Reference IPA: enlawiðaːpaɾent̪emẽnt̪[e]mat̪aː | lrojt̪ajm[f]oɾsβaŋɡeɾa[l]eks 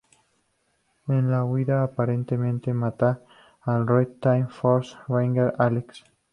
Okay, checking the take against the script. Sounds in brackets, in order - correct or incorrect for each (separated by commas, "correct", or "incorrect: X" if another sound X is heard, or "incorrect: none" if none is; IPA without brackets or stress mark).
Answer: correct, correct, correct